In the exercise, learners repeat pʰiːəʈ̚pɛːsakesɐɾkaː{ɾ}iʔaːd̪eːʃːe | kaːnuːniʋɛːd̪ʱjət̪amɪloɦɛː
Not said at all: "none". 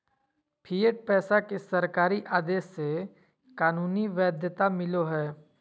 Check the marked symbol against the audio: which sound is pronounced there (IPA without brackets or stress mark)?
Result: ɾ